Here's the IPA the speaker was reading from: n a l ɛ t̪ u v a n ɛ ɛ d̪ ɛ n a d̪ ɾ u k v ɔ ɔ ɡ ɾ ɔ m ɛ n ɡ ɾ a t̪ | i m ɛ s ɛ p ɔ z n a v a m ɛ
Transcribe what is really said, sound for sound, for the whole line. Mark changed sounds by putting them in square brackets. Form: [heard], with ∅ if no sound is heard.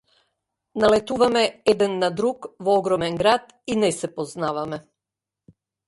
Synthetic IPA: n a l ɛ t̪ u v a [m] ɛ ɛ d̪ ɛ [nː] a d̪ ɾ u k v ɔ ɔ ɡ ɾ ɔ m ɛ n ɡ ɾ a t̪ | i [n] ɛ s ɛ p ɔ z n a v a m ɛ